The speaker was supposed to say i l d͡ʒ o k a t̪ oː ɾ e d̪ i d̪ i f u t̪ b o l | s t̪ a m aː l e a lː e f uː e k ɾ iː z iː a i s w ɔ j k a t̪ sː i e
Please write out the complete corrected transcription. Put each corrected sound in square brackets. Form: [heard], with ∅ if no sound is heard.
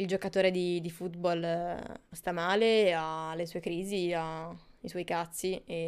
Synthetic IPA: i l d͡ʒ o k a t̪ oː ɾ e d̪ i d̪ i f u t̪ b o l | s t̪ a m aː l e a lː e [s] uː e k ɾ iː z [i] a i s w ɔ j k a t̪ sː i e